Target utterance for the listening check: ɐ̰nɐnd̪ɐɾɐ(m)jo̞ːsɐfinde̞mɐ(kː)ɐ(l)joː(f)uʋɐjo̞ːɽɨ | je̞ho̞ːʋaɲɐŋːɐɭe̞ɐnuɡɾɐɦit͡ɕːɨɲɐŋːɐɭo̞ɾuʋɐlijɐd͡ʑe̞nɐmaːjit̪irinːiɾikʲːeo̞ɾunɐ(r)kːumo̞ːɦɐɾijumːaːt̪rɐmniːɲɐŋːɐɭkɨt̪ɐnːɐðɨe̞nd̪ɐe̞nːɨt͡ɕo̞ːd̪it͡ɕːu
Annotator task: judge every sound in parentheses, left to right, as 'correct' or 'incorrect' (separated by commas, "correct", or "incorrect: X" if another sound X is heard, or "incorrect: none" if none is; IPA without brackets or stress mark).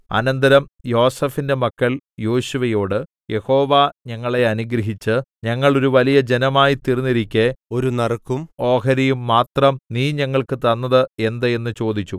correct, correct, correct, incorrect: ɕ, correct